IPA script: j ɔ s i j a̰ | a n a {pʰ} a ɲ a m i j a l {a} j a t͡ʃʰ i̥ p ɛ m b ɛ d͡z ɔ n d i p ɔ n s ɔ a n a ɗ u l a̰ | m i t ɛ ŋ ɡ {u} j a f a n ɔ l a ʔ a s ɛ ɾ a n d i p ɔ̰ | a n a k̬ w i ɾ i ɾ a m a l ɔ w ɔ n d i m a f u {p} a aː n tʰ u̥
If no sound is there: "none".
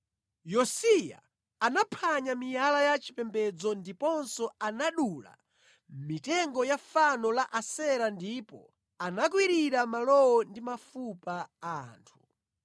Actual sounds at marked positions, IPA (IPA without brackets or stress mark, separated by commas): pʰ, a, ɔ, p